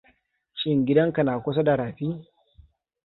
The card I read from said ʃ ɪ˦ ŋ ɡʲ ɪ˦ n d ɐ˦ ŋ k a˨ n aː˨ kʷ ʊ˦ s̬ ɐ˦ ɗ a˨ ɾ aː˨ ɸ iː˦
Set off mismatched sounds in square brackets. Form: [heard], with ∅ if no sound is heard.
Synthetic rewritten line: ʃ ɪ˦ ŋ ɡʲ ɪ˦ [∅] d ɐ˦ ŋ k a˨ n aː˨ kʷ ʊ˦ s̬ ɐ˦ [d] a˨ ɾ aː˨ ɸ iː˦